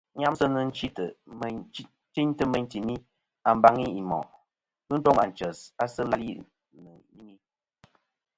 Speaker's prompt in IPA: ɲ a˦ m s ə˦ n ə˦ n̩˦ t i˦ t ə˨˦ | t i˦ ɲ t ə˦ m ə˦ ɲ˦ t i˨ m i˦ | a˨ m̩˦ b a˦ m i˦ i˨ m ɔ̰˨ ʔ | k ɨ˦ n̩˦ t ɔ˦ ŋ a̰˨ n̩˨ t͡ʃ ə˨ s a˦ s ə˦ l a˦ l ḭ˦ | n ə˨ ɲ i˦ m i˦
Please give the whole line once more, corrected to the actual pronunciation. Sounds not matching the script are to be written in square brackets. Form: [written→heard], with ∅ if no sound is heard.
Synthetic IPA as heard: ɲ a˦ m s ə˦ n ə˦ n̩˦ [t→t͡ʃ] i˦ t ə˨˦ | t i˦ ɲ t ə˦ m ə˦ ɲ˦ t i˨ m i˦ | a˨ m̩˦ b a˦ [m→ŋ] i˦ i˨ m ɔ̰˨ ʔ | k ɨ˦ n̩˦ t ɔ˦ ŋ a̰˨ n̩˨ t͡ʃ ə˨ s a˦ s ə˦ l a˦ l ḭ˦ | n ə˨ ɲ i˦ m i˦